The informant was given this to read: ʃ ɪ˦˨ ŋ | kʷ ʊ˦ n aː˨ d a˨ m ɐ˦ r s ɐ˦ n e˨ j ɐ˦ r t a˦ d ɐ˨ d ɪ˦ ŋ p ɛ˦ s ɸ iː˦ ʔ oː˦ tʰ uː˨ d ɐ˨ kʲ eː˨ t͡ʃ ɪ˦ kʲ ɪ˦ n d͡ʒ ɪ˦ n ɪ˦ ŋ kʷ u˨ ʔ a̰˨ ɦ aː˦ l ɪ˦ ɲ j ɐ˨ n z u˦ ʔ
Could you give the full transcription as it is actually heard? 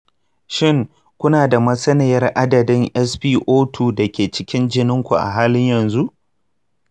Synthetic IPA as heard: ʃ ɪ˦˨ ŋ | kʷ ʊ˦ n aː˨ d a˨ m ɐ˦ s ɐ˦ n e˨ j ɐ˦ r ʔ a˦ d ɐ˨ d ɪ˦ ŋ ʔ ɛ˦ s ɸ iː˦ ʔ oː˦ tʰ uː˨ d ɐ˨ kʲ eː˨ t͡ʃ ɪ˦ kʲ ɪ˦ n d͡ʒ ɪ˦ n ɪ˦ ŋ kʷ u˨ ʔ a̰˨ ɦ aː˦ l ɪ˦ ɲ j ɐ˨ n z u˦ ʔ